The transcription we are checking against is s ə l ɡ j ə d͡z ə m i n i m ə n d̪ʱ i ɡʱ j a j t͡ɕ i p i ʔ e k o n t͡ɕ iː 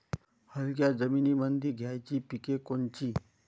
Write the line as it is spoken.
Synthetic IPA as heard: h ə l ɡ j a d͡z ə m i n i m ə n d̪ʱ i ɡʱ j a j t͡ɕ i p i k e k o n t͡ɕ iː